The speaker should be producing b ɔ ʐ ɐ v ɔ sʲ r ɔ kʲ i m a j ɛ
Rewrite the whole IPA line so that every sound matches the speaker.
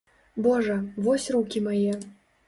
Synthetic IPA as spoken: b ɔ ʐ ɐ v ɔ sʲ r u kʲ i m a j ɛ